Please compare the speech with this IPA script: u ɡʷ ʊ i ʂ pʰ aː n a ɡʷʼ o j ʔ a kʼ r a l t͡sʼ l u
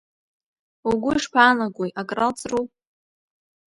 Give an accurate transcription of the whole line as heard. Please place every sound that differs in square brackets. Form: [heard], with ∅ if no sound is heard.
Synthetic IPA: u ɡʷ ʊ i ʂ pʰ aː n a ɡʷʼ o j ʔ a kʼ r a l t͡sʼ [r] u